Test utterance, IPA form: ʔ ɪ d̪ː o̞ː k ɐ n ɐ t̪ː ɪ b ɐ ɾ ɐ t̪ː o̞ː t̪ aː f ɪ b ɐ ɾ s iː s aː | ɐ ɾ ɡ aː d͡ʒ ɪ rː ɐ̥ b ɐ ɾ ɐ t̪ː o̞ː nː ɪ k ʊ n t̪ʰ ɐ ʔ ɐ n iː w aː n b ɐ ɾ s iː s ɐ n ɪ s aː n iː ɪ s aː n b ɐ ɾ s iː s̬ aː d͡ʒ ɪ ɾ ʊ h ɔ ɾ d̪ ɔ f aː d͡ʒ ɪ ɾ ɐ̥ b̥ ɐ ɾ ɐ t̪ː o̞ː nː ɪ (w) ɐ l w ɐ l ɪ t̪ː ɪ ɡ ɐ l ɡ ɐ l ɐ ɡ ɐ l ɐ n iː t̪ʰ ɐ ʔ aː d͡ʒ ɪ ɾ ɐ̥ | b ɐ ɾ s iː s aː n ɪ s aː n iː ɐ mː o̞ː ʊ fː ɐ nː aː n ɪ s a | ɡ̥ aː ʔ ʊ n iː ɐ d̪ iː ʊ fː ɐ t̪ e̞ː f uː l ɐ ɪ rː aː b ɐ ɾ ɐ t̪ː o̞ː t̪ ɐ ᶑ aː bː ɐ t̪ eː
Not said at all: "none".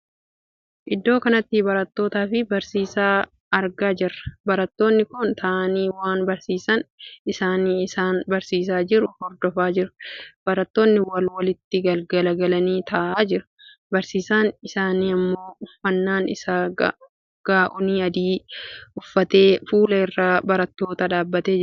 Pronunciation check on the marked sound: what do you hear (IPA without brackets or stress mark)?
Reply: w